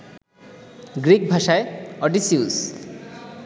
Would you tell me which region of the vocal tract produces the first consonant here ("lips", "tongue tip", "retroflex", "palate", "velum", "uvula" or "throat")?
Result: velum